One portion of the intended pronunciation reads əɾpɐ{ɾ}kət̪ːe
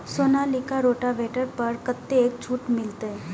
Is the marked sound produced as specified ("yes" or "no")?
yes